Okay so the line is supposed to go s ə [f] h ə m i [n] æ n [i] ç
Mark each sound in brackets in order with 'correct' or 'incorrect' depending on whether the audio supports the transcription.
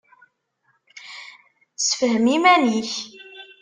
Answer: correct, incorrect, correct

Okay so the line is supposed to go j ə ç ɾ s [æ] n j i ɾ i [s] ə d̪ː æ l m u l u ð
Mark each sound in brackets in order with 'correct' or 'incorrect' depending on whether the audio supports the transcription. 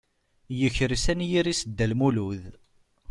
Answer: correct, correct

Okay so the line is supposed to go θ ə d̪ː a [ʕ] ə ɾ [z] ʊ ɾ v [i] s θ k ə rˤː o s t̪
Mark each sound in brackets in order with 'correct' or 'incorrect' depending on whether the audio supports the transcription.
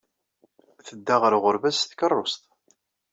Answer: incorrect, incorrect, incorrect

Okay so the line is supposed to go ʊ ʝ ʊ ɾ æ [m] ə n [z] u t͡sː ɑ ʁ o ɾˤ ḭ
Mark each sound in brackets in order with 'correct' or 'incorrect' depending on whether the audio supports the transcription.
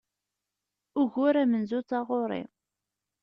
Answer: correct, correct

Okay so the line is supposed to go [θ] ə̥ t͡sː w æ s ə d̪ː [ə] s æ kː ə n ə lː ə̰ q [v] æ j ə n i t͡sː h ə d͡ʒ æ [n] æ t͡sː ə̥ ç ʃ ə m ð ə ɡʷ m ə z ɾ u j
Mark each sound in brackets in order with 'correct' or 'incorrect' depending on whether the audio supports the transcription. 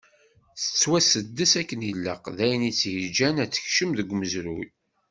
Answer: correct, correct, incorrect, correct

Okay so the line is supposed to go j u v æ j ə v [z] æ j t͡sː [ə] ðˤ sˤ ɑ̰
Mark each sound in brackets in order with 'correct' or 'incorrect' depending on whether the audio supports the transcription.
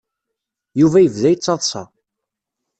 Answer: incorrect, incorrect

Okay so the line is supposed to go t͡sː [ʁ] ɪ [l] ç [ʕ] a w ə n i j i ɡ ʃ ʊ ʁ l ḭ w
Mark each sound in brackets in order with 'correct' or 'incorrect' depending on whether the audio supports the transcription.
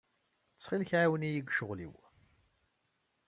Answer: incorrect, correct, correct

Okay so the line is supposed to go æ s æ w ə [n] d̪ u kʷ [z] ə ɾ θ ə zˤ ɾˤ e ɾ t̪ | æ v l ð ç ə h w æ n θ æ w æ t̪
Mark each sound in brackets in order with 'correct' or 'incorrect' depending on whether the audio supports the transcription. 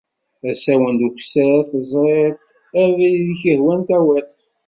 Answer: correct, incorrect

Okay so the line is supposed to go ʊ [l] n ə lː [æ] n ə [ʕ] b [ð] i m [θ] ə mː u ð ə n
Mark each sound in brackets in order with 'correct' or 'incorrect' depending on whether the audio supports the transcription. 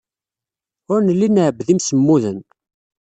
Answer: incorrect, incorrect, correct, correct, incorrect

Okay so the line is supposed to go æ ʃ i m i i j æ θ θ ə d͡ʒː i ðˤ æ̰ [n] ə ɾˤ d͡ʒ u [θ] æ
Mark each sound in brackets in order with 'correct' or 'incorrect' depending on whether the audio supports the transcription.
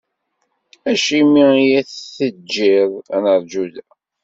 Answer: correct, incorrect

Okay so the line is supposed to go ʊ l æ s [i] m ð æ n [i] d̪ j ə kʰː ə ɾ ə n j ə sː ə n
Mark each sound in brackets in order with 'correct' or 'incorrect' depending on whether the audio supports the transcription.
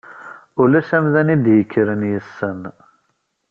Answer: incorrect, correct

